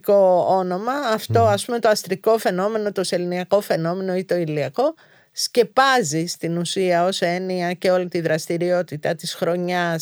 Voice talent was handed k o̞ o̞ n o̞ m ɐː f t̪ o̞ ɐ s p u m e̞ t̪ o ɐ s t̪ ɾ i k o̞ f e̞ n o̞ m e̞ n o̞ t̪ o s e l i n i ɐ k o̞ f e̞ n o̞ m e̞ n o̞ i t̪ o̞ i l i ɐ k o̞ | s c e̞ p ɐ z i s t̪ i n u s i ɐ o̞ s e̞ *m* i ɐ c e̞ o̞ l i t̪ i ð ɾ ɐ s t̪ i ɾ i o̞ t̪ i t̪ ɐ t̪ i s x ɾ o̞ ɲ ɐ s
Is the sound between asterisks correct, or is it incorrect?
incorrect